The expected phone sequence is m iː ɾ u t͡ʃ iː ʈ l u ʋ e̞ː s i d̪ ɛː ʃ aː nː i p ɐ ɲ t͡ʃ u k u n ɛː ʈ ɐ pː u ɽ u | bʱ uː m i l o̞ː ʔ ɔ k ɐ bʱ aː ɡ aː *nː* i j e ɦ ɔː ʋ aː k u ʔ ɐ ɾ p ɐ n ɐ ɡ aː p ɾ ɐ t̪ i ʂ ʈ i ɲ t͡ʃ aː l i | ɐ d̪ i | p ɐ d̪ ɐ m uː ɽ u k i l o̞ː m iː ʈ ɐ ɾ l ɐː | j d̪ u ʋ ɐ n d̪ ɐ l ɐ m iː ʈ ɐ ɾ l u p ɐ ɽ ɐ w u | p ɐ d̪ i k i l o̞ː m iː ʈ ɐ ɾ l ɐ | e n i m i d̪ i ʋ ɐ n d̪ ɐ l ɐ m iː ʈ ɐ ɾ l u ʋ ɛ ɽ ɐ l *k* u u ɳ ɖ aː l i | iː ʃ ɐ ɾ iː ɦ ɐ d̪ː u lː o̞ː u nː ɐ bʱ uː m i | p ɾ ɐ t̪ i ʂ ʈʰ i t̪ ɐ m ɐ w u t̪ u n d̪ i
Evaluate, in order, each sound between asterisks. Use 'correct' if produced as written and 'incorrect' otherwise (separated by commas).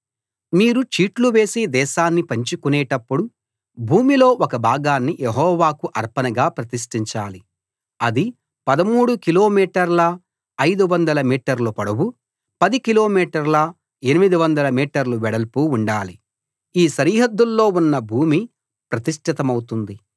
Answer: correct, incorrect